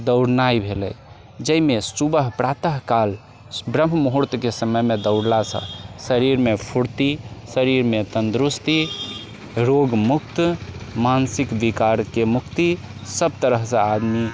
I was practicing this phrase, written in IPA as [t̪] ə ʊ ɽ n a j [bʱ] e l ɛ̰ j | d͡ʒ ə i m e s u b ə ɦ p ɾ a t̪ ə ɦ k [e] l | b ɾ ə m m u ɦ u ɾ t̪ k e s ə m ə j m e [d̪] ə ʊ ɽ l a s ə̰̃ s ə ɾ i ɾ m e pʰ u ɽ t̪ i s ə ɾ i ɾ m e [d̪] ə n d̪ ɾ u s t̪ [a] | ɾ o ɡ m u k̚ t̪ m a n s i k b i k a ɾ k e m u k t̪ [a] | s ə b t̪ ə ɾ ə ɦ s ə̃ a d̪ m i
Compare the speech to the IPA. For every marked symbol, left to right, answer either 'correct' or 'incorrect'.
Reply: incorrect, correct, incorrect, correct, incorrect, incorrect, incorrect

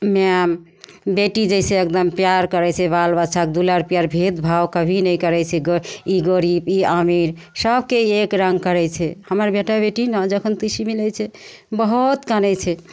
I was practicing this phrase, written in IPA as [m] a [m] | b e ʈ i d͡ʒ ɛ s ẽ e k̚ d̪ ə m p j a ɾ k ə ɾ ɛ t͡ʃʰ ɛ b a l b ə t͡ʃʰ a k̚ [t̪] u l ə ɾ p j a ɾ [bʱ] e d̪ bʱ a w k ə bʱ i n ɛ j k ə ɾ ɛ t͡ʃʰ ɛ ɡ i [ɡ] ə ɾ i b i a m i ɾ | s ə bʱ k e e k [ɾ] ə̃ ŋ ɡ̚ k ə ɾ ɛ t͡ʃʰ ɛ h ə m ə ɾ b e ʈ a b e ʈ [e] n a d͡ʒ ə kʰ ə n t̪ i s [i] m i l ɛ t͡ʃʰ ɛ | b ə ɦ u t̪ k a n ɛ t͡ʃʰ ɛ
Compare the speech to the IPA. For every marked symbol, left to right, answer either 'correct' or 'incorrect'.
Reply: correct, correct, incorrect, correct, correct, correct, incorrect, correct

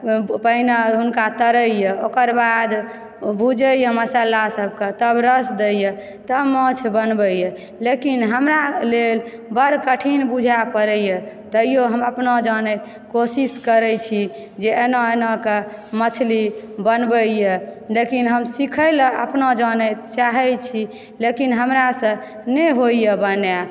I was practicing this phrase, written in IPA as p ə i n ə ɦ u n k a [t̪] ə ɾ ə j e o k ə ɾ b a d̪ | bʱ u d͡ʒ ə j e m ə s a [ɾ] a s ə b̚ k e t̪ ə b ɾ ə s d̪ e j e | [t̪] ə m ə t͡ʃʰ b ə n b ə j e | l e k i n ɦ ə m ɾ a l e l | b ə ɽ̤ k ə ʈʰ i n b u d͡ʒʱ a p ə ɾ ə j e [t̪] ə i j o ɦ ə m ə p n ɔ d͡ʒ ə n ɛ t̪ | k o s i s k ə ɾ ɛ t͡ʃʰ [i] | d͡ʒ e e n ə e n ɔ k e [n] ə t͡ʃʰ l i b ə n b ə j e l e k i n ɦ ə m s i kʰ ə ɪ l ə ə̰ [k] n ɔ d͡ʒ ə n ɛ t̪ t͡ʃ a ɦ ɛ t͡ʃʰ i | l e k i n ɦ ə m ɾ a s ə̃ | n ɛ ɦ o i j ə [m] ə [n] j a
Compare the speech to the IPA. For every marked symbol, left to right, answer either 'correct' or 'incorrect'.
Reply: correct, incorrect, correct, correct, correct, incorrect, incorrect, incorrect, correct

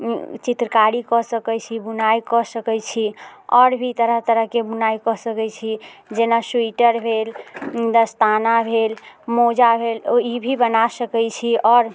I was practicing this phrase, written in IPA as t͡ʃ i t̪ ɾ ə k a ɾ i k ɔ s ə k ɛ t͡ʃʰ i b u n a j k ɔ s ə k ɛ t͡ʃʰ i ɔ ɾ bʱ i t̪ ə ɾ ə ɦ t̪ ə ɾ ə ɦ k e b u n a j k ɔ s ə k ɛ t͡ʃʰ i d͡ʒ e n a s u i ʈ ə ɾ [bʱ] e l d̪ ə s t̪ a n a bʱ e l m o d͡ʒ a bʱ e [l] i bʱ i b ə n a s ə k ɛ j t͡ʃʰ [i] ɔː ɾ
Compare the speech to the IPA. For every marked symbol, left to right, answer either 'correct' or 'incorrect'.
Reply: correct, correct, correct

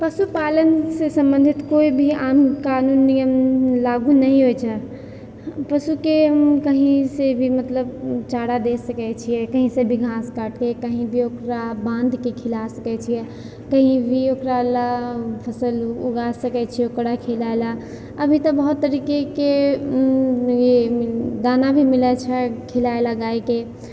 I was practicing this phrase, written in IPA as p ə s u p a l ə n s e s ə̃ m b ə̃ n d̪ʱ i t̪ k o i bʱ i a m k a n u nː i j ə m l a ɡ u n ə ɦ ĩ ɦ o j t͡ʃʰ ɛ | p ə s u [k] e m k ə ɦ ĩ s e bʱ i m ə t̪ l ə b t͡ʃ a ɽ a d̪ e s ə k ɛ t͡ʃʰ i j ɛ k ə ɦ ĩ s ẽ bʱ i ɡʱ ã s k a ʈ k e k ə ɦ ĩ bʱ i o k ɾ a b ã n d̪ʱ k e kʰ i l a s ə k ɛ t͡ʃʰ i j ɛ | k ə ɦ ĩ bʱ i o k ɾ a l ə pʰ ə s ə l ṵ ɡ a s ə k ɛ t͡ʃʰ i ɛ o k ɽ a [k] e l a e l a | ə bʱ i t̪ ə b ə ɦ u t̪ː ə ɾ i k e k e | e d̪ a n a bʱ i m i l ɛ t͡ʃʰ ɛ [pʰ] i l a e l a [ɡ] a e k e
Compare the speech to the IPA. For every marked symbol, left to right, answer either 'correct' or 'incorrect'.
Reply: correct, incorrect, incorrect, correct

